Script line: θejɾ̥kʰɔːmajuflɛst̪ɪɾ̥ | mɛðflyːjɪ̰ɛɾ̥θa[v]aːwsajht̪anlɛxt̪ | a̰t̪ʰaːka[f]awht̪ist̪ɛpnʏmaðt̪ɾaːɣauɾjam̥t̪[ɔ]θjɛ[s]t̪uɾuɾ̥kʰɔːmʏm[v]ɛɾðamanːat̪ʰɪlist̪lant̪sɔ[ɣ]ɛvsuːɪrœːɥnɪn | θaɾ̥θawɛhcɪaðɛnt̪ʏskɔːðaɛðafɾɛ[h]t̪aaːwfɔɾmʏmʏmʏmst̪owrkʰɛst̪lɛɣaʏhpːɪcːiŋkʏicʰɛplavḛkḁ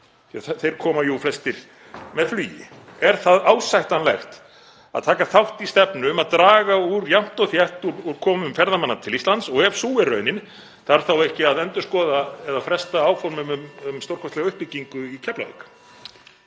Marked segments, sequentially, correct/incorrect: incorrect, incorrect, correct, incorrect, incorrect, correct, incorrect

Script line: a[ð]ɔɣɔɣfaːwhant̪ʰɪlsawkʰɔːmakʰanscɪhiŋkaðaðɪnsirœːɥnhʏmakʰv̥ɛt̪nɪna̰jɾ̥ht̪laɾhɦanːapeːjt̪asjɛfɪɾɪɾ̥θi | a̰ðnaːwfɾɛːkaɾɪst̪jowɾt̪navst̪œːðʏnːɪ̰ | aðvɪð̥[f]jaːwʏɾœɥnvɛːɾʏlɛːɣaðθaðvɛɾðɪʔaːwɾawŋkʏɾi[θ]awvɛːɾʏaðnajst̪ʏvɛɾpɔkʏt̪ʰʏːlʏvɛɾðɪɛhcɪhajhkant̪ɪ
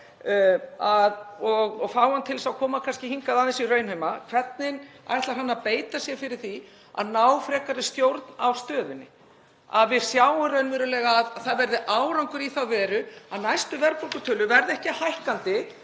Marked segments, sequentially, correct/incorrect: correct, incorrect, correct

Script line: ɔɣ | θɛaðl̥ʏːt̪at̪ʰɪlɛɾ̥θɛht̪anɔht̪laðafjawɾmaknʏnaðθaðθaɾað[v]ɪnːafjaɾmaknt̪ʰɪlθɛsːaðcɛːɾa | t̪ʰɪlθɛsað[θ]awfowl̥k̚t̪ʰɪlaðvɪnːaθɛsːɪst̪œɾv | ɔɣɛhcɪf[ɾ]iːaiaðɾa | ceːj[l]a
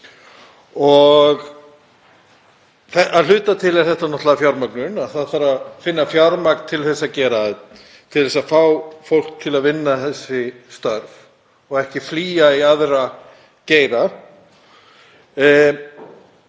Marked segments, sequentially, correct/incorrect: incorrect, incorrect, incorrect, incorrect

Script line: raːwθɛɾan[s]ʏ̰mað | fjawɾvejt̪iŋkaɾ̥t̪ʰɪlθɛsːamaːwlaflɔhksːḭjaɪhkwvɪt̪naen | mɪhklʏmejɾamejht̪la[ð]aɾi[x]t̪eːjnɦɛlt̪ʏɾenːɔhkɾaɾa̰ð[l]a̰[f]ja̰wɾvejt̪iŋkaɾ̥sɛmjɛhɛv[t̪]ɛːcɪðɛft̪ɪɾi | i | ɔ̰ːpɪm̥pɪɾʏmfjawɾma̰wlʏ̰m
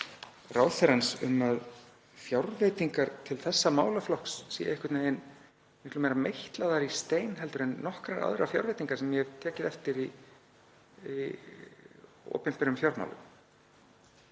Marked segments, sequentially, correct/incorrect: correct, correct, incorrect, incorrect, correct, incorrect

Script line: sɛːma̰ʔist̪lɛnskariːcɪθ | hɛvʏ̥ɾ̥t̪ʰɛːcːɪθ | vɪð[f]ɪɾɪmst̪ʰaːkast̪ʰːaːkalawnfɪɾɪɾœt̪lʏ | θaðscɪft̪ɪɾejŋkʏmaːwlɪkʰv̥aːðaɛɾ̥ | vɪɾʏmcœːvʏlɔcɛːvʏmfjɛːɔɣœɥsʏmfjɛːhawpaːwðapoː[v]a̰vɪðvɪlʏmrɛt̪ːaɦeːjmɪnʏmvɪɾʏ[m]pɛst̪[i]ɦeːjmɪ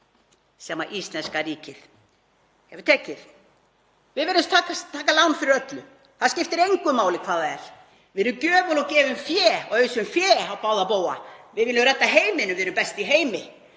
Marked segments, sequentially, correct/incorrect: incorrect, incorrect, correct, correct

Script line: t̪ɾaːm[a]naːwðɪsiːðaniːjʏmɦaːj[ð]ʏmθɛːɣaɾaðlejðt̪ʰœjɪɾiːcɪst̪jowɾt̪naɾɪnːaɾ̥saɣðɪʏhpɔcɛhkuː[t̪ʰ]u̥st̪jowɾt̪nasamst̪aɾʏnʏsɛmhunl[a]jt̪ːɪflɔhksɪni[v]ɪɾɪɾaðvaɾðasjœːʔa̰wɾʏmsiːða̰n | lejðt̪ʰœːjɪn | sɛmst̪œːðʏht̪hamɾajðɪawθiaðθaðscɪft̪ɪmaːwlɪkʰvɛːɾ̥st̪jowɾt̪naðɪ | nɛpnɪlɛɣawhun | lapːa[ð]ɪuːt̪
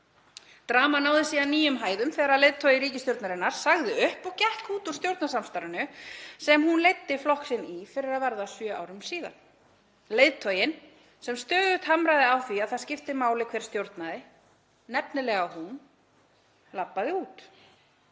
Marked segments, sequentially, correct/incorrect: correct, correct, incorrect, incorrect, incorrect, correct

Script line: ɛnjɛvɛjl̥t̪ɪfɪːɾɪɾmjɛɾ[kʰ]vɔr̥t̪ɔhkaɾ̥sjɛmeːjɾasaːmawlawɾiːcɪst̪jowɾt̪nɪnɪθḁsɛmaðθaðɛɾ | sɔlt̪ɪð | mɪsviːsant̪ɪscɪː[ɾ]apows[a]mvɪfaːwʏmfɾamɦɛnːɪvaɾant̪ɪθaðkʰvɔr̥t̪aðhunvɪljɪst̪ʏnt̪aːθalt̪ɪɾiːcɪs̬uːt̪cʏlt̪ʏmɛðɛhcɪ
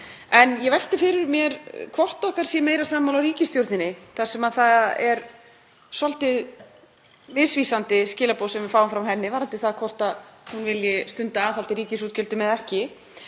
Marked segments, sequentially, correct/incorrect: correct, incorrect, incorrect

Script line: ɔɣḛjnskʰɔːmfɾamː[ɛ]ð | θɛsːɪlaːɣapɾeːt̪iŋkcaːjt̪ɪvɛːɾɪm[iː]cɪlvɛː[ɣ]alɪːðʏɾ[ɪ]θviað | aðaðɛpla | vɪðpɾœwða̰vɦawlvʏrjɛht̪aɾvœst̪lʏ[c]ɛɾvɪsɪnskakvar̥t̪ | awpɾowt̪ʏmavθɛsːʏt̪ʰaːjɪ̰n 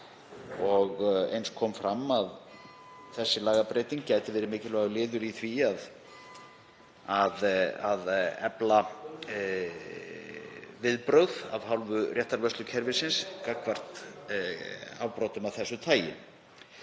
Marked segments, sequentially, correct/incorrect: incorrect, incorrect, correct, incorrect, incorrect

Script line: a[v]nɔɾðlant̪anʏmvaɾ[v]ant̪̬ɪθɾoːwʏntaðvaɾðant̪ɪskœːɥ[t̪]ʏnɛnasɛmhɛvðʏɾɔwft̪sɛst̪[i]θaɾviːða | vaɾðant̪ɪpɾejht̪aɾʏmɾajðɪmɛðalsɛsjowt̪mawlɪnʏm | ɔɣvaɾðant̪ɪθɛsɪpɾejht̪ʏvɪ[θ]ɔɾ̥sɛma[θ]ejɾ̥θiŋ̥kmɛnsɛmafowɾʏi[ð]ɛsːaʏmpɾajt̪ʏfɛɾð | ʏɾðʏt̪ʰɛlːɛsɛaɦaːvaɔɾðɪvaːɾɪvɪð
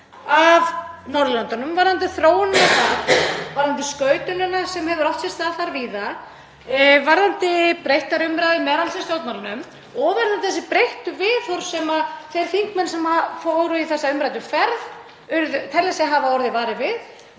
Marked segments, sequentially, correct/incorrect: correct, incorrect, correct, incorrect, correct, correct, incorrect

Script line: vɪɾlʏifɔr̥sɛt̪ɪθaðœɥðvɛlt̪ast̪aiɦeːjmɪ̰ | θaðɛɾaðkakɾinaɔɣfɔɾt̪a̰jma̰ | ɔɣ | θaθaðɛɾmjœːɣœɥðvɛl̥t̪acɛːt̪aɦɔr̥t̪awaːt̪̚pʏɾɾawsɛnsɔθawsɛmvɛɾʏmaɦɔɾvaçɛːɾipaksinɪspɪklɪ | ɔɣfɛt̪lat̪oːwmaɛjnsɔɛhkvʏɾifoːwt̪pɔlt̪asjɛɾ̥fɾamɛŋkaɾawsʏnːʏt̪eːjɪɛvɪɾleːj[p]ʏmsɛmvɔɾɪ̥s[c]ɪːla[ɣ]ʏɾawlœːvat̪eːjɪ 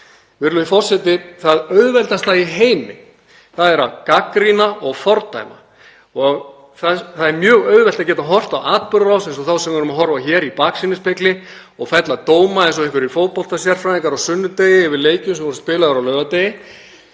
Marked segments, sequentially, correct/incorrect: incorrect, incorrect, incorrect

